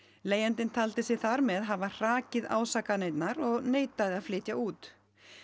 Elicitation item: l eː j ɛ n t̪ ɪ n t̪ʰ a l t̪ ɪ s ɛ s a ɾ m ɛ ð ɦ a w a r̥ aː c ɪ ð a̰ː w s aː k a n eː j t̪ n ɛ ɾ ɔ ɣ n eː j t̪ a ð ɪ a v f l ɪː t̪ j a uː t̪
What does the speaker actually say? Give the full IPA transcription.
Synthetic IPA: l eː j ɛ n t̪ ɪ n t̪ʰ a l t̪ ɪ s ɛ θ a ɾ m ɛ ð ɦ a v a r̥ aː c ɪ ð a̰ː w s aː k a n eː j t̪ n a ɾ ɔ ɣ n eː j t̪ a ð ɪ a ð f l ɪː t̪ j a uː t̪

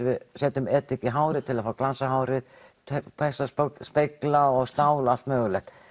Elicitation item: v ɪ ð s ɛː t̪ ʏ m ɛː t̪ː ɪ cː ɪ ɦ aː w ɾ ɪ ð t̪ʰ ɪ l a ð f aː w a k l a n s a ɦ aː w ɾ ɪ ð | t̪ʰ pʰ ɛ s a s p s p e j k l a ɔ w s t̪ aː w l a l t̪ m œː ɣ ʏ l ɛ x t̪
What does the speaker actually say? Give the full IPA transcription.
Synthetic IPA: v ɪ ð s ɛː t̪ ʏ m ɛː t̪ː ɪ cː ɪ ɦ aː w ɾ ɪ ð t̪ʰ ɪ l a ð f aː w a k l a n s a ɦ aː w ɾ ɪ ð | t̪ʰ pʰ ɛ s a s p s p e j k l a ɔ ɣ s t̪ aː w l a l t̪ m œː ɣ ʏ l ɛ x t̪

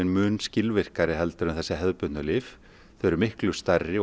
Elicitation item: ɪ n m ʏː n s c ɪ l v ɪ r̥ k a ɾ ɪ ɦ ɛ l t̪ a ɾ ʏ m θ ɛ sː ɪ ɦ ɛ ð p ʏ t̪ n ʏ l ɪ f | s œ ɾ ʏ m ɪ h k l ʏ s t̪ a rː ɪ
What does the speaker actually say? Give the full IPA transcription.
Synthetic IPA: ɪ n m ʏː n s c ɪ l v ɪ r̥ k a ɾ ɪ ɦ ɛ l t̪ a ɾ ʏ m θ ɛ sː ɪ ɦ ɛ ð p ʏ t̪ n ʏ l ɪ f | θ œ ɾ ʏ m ɪ h k l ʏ s t̪ a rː ɪ

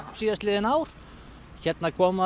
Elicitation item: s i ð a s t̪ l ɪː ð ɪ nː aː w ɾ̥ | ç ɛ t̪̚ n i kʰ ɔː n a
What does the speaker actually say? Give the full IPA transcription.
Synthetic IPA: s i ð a s t̪ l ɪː ð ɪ n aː w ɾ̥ | ç ɛ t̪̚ n a kʰ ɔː m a

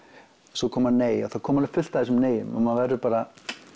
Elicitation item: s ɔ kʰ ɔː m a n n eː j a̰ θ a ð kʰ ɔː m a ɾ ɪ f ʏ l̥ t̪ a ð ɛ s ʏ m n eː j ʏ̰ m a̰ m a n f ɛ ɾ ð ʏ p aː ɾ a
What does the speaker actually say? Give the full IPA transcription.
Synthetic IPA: s ɔ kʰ ɔː m a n n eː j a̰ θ a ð kʰ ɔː m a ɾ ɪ f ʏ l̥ t̪ a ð ɛ s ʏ m n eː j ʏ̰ m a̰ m a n v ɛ ɾ ð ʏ p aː ɾ a

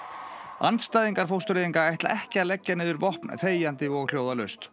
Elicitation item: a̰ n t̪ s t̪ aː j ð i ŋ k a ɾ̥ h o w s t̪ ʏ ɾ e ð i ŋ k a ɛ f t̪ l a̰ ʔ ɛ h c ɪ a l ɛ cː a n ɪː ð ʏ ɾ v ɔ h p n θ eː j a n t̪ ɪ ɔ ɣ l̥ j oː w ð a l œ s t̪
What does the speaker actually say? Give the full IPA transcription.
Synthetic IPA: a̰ n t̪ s t̪ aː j ð i ŋ k a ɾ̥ f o w s t̪ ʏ ɾ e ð i ŋ k a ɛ h t̪ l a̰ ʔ ɛ h c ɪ a l ɛ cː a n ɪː ð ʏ ɾ v ɔ h p n θ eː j a n t̪ ɪ ɔ ɣ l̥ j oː w ð a l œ s t̪

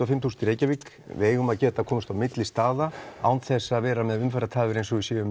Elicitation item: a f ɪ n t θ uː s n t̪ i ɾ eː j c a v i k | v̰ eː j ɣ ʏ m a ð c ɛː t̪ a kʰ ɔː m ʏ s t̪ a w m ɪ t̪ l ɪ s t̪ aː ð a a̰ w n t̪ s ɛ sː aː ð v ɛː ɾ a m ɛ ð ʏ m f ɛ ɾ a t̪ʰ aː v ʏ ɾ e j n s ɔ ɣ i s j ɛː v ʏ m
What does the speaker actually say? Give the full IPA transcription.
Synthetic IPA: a f ɪ m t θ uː s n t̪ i ɾ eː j c a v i k | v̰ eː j ɣ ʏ m a ð c ɛː t̪ a kʰ ɔː m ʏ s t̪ a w m ɪ t̪ l ɪ s t̪ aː ð a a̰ w n t̪ θ ɛ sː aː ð v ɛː ɾ a m ɛ ð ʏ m f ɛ ɾ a t̪ʰ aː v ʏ ɾ e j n s ɔ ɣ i s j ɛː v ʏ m

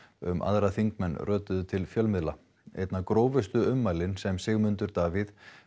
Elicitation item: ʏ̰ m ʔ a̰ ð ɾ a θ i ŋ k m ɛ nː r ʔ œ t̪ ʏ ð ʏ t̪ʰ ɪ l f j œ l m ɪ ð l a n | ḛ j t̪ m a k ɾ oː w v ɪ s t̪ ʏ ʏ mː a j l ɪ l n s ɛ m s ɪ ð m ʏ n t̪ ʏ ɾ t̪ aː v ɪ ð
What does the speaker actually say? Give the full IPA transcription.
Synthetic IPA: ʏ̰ m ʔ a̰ ð ɾ a θ i ŋ k m ɛ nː r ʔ œː t̪ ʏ ð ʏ t̪ʰ ɪ l f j œ l m ɪ ð l a | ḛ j t̪ n a k ɾ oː w v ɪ s t̪ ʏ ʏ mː a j l ɪ n s ɛ m s ɪ ɣ m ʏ n t̪ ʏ ɾ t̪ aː v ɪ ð

